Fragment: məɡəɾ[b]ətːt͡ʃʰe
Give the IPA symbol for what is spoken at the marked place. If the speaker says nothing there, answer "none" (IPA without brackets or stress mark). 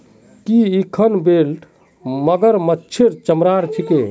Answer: m